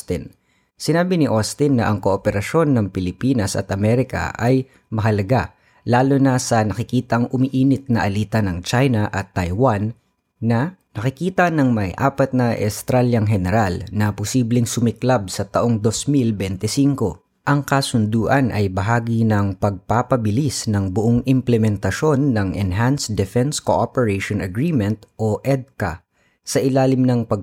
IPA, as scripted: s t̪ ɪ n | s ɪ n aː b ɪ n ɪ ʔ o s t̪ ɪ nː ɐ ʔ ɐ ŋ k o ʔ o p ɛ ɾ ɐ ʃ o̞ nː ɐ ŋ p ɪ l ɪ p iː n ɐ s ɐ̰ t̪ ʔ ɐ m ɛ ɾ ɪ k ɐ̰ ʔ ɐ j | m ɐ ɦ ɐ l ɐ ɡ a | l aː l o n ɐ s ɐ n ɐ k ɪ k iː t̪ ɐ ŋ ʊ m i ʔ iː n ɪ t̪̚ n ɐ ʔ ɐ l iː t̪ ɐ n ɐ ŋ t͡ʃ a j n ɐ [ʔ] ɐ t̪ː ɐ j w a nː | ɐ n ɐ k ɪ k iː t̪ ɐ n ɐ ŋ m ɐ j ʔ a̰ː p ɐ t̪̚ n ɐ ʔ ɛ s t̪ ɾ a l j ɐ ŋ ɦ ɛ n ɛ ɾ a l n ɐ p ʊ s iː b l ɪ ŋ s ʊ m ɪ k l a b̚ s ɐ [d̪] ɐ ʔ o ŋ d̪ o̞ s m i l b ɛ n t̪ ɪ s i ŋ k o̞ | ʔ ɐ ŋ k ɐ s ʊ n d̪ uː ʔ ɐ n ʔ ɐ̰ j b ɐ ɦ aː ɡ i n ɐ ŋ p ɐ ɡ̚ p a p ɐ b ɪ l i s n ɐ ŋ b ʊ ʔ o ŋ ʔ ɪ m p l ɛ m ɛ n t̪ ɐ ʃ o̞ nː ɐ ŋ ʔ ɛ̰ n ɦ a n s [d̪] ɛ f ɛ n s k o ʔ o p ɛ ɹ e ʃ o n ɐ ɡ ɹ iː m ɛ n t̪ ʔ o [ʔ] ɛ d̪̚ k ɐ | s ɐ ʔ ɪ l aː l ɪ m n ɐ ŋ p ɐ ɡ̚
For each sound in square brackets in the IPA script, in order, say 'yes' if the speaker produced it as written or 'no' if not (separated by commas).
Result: yes, no, yes, yes